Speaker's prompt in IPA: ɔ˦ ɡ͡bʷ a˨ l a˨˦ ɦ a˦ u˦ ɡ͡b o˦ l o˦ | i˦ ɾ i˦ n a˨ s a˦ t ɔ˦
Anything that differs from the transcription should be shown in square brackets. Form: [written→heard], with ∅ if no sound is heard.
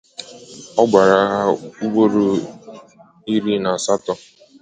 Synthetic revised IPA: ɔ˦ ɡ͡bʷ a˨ [l→ɾ] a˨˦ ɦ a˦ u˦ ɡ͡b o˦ [l→ɾ] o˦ | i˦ ɾ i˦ n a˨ s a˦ t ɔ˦